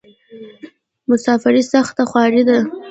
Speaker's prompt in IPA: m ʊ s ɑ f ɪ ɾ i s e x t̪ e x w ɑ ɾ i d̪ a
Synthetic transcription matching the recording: m ʊ s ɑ f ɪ ɾ i s a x t̪ a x w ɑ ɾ i d̪ a